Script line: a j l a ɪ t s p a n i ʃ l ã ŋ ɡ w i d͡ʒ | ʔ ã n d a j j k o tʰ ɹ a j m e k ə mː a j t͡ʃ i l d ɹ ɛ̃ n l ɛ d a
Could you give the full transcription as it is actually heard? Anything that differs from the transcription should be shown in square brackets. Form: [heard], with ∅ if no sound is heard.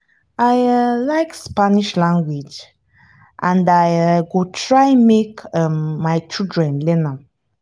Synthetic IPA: a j l a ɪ [k] s p a n i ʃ l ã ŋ ɡ w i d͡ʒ | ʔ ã n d a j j [ɡ] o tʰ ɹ a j m e k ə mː a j t͡ʃ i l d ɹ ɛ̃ n l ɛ [n] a